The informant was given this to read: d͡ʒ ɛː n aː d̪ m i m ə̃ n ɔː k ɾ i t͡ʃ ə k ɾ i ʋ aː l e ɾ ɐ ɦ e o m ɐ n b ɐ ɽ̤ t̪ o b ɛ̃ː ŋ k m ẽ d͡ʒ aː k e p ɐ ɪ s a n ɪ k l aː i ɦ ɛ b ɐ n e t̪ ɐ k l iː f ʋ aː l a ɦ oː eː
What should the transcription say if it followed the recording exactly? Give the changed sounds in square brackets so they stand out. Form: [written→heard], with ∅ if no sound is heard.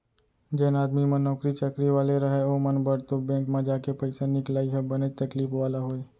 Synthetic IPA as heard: d͡ʒ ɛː n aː d̪ m i m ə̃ n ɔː k ɾ i t͡ʃ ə k ɾ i ʋ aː l e ɾ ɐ ɦ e o m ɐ n b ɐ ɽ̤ t̪ o b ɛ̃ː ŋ k m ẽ d͡ʒ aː k e p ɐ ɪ s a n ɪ k l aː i ɦ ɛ b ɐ n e t̪ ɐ k l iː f ʋ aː l a ɦ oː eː